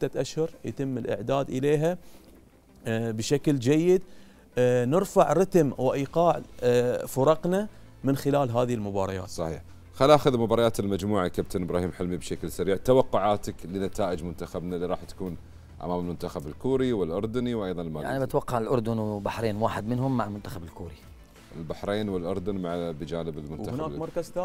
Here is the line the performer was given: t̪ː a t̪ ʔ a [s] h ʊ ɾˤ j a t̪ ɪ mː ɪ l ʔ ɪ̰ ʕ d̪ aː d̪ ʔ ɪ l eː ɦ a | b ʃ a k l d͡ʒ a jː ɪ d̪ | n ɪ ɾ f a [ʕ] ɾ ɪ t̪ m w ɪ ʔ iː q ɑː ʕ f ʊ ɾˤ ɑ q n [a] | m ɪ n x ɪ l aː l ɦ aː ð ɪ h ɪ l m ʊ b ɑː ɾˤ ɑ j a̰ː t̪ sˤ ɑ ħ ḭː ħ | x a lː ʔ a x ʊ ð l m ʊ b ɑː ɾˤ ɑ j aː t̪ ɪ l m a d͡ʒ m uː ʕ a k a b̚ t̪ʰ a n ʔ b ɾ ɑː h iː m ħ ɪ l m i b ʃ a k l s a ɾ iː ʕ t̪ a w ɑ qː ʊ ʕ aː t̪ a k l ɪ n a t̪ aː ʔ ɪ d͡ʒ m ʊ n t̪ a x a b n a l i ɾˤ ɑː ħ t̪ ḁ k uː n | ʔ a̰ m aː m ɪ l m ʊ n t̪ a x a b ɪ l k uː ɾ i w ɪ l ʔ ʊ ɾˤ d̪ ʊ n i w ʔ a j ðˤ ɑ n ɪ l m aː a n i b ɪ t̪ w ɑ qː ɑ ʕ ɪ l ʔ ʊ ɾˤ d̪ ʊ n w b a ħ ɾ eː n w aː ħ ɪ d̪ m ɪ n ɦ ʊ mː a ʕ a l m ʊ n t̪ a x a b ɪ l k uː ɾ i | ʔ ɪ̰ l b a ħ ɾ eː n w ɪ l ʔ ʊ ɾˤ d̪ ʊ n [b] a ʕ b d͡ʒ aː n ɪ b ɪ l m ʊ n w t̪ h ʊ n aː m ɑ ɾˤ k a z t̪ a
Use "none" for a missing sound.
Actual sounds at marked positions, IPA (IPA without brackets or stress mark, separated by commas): ʃ, ʕ, a, m